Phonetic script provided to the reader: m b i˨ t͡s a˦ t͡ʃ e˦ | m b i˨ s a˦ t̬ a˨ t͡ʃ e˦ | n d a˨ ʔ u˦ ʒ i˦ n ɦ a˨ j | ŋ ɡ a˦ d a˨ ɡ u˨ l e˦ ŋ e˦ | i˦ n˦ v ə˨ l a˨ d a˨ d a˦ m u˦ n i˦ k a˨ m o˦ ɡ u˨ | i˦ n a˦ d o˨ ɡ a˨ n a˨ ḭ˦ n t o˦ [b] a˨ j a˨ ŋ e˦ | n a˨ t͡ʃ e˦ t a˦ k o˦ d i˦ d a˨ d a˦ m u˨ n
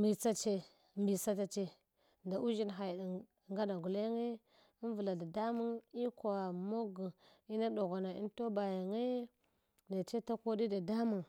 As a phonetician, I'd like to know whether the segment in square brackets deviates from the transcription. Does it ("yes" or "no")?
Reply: no